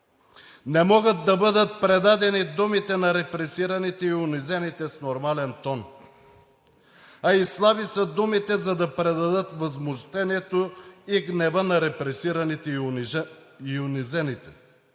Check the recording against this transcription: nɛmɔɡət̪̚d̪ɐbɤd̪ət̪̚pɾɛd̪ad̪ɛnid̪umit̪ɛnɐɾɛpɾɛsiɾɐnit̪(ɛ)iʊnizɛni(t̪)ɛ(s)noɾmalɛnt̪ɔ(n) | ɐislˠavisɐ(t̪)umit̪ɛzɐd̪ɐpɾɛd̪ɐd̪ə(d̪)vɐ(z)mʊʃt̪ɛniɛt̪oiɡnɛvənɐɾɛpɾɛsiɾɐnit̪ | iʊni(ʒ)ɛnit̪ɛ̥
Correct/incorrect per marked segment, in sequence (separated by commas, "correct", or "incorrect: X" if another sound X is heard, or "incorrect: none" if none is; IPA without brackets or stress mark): correct, correct, correct, correct, incorrect: d̪, incorrect: t̪, correct, incorrect: z